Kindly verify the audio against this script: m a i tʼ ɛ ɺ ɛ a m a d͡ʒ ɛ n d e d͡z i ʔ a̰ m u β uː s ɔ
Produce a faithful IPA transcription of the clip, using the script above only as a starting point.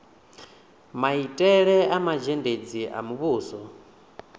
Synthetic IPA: m a i tʼ ɛ ɺ ɛ a m a d͡ʒ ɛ n d e d͡z i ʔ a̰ m u β uː s ɔ